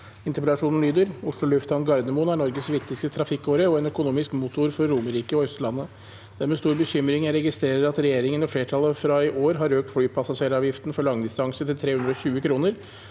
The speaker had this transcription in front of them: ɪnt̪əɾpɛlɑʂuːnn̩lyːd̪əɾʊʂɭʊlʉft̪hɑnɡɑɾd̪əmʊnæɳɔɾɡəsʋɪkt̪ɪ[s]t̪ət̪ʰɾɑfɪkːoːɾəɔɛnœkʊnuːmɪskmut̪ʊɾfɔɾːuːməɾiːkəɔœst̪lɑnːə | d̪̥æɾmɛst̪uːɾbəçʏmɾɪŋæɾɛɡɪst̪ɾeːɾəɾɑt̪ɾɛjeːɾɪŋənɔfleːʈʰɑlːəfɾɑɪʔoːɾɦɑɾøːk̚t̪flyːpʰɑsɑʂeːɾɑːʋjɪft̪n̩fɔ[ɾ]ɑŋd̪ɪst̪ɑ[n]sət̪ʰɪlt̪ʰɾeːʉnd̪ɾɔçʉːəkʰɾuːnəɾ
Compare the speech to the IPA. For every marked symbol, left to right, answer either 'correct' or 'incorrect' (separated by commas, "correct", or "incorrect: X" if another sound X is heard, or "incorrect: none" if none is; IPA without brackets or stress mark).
correct, incorrect: ɭ, incorrect: ŋ